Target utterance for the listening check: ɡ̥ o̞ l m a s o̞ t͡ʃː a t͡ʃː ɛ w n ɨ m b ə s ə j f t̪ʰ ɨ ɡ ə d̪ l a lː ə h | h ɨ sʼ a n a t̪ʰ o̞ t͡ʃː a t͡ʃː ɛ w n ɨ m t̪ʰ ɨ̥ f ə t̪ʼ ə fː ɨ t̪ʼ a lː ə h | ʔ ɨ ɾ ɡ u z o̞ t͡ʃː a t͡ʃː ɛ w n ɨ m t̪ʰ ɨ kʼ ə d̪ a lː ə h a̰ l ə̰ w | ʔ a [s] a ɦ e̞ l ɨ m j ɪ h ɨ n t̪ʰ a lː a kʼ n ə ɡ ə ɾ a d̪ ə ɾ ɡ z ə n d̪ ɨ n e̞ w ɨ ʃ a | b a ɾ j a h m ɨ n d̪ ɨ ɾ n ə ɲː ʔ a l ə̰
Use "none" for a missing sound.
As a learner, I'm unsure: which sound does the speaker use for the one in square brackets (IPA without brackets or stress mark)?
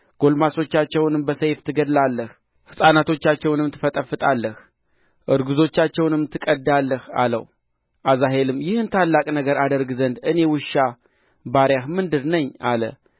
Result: z